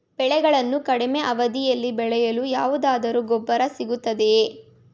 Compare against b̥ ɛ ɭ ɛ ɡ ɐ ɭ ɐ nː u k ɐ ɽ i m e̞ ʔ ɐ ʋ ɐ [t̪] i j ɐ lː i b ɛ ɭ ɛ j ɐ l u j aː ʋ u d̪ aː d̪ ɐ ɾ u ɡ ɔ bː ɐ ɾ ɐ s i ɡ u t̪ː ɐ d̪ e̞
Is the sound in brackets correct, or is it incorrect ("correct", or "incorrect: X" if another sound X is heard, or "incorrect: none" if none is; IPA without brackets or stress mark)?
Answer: incorrect: d̪